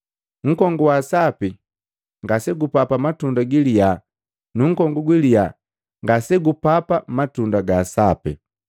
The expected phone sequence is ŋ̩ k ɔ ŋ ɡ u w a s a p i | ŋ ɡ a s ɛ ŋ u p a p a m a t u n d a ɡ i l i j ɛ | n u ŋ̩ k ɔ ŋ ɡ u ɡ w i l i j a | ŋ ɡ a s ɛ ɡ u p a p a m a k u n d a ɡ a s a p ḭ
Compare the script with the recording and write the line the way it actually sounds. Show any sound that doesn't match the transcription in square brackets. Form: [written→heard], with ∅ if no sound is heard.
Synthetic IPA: ŋ̩ k ɔ ŋ ɡ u w a s a p i | ŋ ɡ a s ɛ [ŋ→ɡ] u p a p a m a t u n d a ɡ i l i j [ɛ→a] | n u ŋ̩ k ɔ ŋ ɡ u ɡ w i l i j a | ŋ ɡ a s ɛ ɡ u p a p a m a [k→t] u n d a ɡ a s a p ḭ